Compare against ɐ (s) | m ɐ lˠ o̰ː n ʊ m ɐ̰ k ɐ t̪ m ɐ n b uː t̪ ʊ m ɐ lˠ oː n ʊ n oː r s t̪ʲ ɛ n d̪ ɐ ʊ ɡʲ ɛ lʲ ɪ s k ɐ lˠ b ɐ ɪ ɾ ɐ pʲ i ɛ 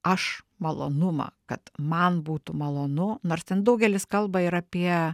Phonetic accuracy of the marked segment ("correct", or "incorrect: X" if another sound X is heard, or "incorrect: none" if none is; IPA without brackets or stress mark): incorrect: ʃ